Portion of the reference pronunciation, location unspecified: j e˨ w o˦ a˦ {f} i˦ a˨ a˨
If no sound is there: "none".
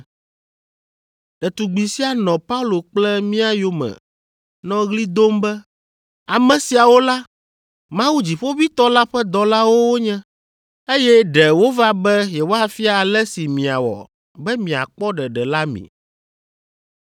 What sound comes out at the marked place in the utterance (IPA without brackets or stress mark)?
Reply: f